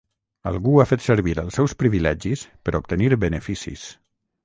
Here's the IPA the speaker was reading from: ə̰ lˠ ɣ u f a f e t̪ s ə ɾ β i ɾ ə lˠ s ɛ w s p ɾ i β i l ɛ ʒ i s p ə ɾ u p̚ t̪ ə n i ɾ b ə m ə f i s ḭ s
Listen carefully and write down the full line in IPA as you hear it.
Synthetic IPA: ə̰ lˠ ɣ u a f e t̪ s ə ɾ β i ɾ ə lˠ s ɛ w s p ɾ i β i l ɛ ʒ i s p ə ɾ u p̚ t̪ ə n i ɾ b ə n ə f i s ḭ s